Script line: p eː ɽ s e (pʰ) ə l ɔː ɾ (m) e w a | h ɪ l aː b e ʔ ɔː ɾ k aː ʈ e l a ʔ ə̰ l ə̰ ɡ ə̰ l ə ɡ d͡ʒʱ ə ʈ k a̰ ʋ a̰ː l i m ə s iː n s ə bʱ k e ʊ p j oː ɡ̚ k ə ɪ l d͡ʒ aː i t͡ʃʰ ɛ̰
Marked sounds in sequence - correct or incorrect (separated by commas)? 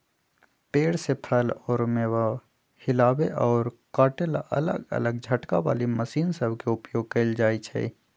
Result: correct, correct